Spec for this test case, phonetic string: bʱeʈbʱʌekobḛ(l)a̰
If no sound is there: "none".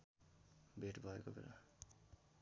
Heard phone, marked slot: l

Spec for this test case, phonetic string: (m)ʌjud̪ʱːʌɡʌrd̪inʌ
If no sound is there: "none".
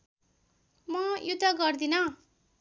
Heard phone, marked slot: m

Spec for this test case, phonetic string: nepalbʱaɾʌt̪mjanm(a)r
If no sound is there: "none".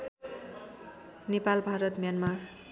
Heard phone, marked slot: a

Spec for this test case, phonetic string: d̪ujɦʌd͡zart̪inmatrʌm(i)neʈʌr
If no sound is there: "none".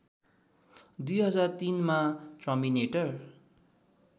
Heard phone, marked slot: i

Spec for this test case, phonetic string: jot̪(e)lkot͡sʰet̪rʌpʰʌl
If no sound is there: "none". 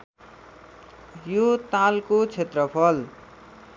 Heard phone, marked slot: a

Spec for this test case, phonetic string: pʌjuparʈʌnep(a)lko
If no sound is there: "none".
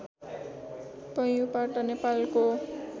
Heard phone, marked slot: a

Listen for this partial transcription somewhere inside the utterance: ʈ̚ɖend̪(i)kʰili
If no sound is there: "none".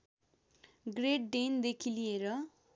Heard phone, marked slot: e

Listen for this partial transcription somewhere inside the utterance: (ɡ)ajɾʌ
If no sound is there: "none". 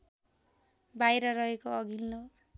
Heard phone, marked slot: b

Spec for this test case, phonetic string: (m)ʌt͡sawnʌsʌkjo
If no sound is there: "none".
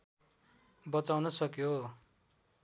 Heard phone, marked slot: b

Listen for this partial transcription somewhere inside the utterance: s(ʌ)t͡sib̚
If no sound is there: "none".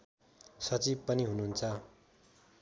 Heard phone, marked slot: ʌ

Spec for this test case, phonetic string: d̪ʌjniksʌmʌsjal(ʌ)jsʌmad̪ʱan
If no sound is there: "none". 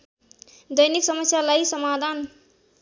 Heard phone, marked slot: a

